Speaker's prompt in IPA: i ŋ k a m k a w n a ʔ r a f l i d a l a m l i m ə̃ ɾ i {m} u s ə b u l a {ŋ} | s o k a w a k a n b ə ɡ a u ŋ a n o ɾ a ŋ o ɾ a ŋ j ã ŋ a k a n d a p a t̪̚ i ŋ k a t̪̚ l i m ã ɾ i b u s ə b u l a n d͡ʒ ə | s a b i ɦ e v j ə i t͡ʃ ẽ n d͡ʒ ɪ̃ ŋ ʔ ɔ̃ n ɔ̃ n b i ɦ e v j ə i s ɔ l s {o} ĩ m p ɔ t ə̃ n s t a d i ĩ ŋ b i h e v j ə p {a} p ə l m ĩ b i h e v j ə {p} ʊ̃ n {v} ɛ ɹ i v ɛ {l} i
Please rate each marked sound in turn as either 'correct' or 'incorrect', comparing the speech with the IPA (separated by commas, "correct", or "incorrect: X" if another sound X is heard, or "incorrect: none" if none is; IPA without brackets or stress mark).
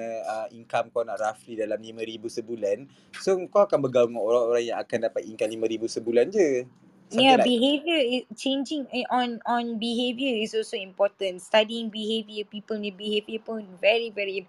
incorrect: b, incorrect: n, correct, incorrect: i, correct, correct, incorrect: ɹ